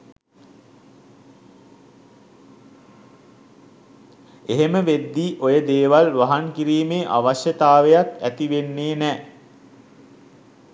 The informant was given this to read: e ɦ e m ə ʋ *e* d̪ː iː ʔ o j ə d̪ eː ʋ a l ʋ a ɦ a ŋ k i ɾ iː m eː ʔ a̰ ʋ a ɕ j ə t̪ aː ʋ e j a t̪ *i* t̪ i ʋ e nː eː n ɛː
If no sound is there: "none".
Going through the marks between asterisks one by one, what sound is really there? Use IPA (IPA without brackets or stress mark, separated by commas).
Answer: e, æ